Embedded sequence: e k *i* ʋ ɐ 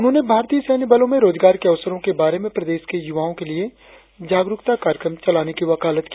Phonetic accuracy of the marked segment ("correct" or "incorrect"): correct